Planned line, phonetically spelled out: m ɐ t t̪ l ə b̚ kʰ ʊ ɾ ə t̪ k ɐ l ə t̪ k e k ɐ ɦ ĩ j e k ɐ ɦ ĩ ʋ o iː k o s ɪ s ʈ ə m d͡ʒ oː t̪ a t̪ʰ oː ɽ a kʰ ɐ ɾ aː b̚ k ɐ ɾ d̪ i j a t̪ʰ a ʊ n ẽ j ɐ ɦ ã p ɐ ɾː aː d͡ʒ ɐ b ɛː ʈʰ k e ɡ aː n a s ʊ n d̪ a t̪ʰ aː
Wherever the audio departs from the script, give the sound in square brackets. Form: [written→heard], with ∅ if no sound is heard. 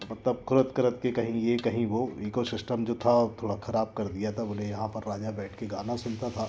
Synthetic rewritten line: m ɐ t t̪ l ə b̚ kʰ ʊ ɾ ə t̪ k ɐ [l→ɾ] ə t̪ k e k ɐ ɦ ĩ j e k ɐ ɦ ĩ ʋ o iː k o s ɪ s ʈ ə m d͡ʒ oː [t̪→t̪ʰ] a t̪ʰ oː ɽ a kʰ ɐ ɾ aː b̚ k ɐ ɾ d̪ i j a t̪ʰ a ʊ n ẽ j ɐ ɦ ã p ɐ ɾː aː d͡ʒ [ɐ→a] b ɛː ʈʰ k e ɡ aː n a s ʊ n [d̪→t̪] a t̪ʰ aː

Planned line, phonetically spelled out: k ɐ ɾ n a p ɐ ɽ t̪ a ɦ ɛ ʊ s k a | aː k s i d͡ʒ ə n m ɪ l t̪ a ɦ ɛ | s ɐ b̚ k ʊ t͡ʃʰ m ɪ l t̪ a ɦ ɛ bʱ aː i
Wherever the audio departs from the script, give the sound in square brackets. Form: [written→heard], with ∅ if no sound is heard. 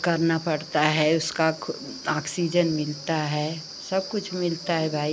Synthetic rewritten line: k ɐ ɾ n a p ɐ ɽ t̪ a ɦ ɛ ʊ s k a | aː k s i d͡ʒ ə n m ɪ l t̪ a ɦ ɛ | s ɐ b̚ k ʊ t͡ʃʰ m ɪ l t̪ a ɦ ɛ bʱ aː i

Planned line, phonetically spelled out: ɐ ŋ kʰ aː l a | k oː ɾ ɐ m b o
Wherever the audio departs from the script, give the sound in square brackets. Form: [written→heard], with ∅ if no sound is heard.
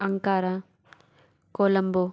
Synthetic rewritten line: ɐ ŋ [kʰ→k] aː [l→ɾ] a | k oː [ɾ→l] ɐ m b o

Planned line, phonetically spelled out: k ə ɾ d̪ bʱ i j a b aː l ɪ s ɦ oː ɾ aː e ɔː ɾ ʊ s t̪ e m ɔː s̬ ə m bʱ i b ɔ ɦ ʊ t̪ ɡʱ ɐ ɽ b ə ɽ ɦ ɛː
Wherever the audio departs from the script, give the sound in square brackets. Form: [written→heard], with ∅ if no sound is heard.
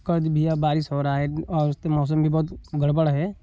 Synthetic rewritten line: k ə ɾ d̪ bʱ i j a b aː [l→ɾ] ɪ s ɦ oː ɾ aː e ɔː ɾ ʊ s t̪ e m ɔː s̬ ə m bʱ i b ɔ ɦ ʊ t̪ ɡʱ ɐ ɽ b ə ɽ ɦ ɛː

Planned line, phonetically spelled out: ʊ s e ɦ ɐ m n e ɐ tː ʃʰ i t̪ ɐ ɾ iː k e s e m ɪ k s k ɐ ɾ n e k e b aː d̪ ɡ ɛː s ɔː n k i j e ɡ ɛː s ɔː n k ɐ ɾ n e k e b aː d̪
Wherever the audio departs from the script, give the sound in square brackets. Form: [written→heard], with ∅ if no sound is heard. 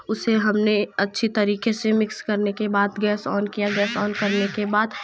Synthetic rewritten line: ʊ s e ɦ ɐ m n e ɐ tː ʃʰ i t̪ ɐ ɾ iː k e s e m ɪ k s k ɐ ɾ n e k e b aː d̪ ɡ ɛː s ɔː n k i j [e→a] ɡ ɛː s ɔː n k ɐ ɾ n e k e b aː d̪

